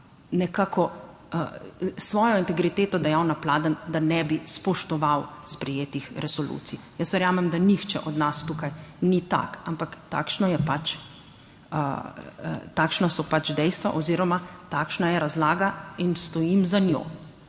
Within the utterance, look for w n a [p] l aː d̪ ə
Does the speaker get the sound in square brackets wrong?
no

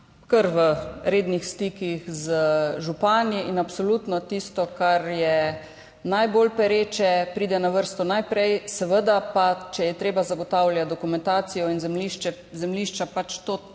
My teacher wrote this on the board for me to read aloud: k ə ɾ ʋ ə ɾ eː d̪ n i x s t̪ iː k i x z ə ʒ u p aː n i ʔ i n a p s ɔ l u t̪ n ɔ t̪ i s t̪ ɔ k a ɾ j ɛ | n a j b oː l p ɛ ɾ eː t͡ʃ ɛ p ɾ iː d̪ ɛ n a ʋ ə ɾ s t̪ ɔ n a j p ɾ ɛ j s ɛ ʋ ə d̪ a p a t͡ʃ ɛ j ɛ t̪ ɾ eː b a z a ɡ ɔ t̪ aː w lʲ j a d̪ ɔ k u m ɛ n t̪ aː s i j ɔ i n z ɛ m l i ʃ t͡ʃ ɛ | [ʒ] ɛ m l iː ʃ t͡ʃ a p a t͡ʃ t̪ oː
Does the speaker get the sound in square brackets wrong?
yes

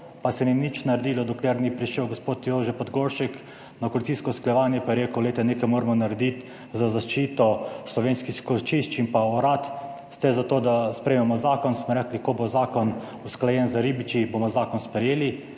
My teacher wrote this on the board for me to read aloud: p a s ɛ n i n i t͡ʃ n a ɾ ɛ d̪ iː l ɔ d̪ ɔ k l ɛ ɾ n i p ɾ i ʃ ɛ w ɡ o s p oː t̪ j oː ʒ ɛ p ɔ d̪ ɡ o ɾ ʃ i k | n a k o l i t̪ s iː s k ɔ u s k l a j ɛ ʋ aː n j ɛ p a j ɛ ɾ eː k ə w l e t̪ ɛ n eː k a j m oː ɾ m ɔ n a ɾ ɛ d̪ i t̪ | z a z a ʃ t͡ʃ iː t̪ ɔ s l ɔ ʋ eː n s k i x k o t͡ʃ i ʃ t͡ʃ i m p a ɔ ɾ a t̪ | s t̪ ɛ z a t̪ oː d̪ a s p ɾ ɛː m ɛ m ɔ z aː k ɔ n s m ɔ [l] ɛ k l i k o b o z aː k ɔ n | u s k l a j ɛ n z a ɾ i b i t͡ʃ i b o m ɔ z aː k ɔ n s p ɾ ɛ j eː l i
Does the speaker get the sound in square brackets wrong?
yes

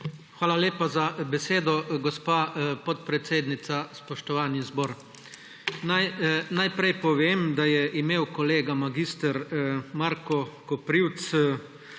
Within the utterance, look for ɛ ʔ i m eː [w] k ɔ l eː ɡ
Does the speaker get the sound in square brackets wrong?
no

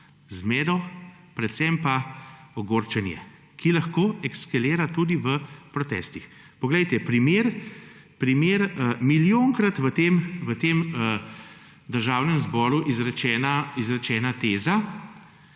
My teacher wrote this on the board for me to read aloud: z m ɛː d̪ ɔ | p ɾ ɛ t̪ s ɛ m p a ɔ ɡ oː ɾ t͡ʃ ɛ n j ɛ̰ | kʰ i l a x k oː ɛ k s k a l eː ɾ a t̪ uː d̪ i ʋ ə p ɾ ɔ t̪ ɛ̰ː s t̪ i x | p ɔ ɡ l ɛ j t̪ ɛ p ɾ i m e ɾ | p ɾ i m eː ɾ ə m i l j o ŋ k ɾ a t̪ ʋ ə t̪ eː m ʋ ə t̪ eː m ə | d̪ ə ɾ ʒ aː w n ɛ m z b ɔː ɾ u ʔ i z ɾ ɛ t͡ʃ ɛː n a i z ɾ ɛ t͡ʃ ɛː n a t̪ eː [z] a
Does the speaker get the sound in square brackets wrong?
no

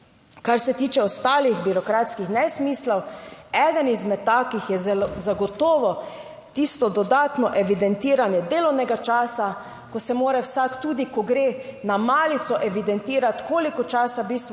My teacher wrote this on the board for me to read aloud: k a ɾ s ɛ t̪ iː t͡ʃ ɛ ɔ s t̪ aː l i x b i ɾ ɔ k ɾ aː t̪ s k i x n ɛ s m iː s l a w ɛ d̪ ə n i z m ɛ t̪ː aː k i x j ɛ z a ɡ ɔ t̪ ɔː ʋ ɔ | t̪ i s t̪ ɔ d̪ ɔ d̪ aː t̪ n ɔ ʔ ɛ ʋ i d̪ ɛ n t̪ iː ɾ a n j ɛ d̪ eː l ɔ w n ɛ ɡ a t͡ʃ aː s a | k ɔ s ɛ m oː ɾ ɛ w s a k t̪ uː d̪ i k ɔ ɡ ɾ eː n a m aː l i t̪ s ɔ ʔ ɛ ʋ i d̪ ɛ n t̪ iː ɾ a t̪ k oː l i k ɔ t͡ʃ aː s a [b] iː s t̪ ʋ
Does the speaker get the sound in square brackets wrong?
no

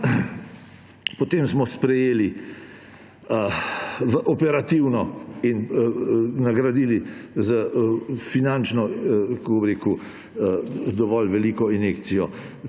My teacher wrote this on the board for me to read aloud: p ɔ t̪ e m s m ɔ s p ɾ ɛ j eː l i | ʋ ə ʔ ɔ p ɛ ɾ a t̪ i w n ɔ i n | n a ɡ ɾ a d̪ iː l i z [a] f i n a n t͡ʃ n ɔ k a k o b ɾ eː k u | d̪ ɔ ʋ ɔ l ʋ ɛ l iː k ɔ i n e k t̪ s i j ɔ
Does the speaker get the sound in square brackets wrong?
yes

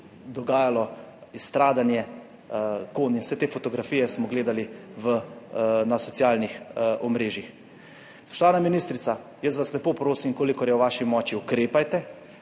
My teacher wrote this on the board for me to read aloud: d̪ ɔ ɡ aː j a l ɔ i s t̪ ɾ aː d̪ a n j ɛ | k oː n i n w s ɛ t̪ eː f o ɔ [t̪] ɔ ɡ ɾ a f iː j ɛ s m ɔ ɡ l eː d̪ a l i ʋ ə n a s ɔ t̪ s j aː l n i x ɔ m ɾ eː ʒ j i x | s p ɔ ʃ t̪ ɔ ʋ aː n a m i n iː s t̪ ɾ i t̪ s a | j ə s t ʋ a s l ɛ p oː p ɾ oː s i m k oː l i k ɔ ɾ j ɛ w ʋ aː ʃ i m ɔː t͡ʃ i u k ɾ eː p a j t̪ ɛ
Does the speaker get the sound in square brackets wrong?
no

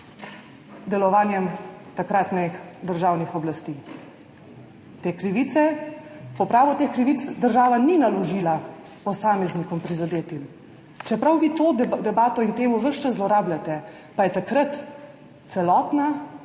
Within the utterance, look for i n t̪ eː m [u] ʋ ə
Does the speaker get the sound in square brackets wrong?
no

